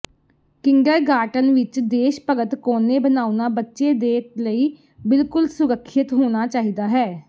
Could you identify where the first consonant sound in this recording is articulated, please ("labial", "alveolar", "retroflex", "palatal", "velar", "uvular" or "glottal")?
velar